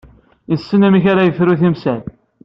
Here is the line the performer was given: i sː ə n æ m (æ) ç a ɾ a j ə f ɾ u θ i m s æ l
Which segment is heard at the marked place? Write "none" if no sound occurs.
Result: i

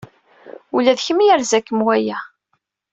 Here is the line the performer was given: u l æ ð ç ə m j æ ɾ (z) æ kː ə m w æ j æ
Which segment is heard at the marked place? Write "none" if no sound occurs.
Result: z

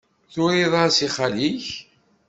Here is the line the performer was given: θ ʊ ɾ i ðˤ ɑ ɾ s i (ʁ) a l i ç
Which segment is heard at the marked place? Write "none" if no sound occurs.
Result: χ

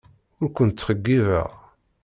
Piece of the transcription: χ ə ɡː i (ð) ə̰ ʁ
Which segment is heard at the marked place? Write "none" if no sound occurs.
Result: v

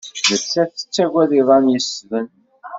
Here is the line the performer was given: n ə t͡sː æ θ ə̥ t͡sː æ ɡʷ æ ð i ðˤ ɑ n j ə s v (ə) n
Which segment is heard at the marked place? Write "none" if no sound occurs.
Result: ə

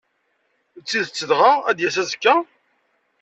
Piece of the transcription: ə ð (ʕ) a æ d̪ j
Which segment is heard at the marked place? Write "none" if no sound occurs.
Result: ʁ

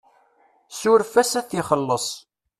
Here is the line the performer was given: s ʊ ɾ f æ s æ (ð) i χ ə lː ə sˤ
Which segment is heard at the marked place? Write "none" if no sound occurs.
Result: θ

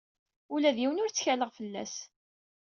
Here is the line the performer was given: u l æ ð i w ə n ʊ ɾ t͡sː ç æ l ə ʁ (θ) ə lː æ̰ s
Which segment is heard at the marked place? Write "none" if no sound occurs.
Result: f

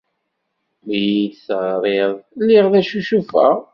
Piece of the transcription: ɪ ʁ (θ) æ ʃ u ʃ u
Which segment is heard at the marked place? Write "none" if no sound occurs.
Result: ð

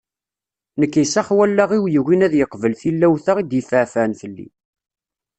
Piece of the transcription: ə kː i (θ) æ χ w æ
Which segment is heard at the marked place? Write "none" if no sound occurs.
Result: s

